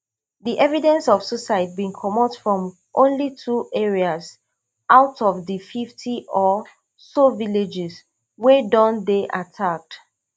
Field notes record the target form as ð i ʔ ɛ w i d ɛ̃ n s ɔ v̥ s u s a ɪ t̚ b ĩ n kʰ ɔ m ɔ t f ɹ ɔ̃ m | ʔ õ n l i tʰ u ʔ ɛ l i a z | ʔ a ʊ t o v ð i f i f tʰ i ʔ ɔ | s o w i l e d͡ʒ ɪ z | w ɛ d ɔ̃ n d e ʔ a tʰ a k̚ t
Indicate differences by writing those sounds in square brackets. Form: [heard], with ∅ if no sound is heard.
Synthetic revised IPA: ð i ʔ ɛ [v] i d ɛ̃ n s ɔ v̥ s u s a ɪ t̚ b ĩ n kʰ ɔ m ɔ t f ɹ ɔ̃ m | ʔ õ n l i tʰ u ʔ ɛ [ɹ] i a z | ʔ a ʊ t [ɔ] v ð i f i f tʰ i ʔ ɔ | s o [v] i l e d͡ʒ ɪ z | w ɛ d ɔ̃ n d e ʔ a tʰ a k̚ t

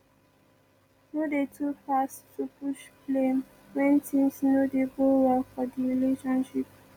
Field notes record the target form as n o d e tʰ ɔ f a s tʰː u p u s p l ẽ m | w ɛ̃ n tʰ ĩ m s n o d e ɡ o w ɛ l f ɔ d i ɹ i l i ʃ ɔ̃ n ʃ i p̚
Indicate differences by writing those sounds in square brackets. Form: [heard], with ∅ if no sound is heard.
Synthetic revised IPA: n o d e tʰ [u] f a s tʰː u p u [ʃ] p l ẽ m | w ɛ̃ n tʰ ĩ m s n o d e ɡ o w ɛ l f ɔ d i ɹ i l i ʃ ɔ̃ n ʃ i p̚

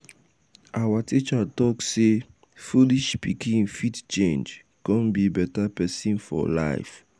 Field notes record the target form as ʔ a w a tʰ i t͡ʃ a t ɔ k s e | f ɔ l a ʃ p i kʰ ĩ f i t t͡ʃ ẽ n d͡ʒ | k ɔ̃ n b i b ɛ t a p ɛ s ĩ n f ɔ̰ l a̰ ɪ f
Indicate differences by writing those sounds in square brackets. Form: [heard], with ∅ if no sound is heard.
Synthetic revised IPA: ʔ a w a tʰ i t͡ʃ a t ɔ k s e | f [u] l [i] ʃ p i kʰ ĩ f i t t͡ʃ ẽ n d͡ʒ | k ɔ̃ n b i b ɛ t a p ɛ s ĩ n f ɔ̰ l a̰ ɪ f

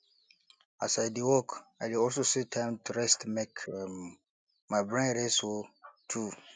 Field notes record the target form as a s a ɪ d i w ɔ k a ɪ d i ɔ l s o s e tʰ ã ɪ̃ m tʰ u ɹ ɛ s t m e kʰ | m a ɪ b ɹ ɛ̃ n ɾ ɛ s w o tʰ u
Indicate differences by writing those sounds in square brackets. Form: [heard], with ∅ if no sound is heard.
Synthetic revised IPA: a s a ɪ d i w ɔ k a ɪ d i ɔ l s o s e tʰ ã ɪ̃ m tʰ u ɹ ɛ s t m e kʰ | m a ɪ b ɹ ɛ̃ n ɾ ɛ s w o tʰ u

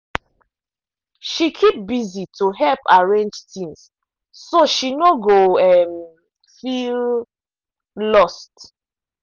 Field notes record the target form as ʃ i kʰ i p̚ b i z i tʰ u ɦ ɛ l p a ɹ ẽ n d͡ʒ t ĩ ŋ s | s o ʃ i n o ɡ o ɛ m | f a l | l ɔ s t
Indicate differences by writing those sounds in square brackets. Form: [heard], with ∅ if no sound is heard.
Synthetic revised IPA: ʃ i kʰ i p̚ b i z i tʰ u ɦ ɛ l p a ɹ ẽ n d͡ʒ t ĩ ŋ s | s o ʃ i n o ɡ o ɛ m | f [i] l | l ɔ s t

